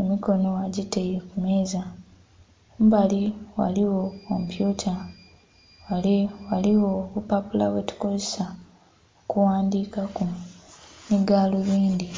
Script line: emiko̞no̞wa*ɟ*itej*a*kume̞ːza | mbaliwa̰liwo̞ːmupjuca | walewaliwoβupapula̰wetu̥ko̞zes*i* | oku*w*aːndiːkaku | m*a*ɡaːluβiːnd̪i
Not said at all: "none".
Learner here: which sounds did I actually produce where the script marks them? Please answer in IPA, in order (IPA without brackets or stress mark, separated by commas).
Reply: ɟ, e, a, w, i